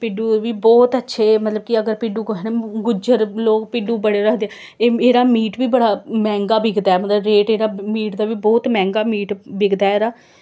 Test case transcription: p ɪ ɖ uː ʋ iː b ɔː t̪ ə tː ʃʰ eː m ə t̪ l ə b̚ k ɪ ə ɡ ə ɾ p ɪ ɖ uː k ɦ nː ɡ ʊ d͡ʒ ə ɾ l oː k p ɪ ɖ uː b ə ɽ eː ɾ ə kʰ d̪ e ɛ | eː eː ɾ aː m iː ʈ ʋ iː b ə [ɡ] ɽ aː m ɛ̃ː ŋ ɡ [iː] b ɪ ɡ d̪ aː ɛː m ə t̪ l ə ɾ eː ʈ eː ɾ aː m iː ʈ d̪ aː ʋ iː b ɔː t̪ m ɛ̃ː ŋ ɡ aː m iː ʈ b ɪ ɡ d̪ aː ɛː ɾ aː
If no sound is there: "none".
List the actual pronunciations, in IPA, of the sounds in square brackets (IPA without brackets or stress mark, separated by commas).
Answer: none, aː